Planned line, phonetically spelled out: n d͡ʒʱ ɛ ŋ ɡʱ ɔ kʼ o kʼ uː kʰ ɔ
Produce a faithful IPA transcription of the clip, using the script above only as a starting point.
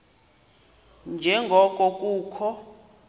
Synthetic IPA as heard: n d͡ʒʱ ɛ ŋ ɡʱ ɔ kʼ ɔ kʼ uː kʰ ɔ